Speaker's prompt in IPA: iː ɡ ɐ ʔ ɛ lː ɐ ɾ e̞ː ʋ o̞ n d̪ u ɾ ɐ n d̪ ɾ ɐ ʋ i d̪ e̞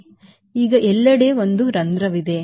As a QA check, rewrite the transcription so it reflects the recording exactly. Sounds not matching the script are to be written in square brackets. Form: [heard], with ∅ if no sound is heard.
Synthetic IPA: iː ɡ ɐ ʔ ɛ lː ɐ [ɽ] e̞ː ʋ o̞ n d̪ u ɾ ɐ n d̪ ɾ ɐ ʋ i d̪ e̞